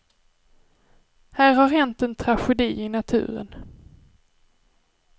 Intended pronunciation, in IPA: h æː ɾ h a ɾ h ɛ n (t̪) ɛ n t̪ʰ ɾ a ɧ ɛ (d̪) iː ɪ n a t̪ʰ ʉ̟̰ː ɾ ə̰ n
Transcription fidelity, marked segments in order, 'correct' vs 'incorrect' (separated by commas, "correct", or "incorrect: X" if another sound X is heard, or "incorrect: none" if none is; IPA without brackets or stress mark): correct, correct